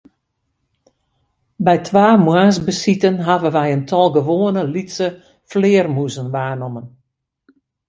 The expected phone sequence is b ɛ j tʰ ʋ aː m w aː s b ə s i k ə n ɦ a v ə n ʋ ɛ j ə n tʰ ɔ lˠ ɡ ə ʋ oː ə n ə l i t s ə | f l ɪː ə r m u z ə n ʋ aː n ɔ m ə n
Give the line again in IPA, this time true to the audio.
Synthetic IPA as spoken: b ɛ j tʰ ʋ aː m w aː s b ə s i t ə n ɦ a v ə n ʋ ɛ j ə n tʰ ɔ lˠ ɡ ə ʋ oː ə n ə l i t s ə | f l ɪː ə r m u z ə n ʋ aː n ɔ m ə n